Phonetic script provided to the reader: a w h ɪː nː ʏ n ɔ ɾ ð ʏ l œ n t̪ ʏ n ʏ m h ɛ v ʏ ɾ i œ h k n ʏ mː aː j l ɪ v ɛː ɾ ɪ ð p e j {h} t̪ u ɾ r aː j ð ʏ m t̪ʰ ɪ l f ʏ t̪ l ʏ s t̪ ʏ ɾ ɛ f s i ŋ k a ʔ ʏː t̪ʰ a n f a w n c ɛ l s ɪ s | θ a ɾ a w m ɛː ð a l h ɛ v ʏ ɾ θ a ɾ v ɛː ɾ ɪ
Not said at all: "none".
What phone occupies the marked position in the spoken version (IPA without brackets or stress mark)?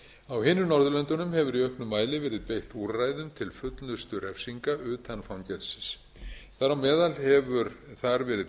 h